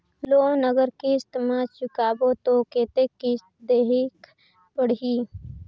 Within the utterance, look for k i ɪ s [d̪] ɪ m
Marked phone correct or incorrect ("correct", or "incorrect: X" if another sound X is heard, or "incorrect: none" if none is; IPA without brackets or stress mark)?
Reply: incorrect: t̪